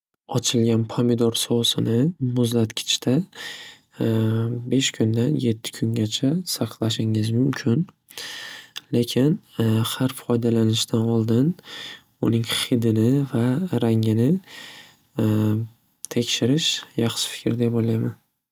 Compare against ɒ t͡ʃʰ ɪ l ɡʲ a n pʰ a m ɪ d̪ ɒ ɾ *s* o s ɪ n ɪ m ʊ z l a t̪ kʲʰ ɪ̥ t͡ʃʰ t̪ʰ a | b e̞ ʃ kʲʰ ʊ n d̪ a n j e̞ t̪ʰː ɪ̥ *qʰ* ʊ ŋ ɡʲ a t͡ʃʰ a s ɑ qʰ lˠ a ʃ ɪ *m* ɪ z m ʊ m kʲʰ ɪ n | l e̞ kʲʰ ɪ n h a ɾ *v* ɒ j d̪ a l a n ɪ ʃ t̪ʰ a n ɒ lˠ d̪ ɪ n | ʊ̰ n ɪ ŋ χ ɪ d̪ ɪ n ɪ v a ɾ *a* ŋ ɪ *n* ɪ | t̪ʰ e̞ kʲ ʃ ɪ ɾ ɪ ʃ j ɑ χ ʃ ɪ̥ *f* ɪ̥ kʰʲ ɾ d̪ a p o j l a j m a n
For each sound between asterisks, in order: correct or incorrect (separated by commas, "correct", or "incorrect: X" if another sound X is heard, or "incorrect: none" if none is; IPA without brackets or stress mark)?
correct, incorrect: kʰ, incorrect: ŋ, incorrect: f, correct, correct, correct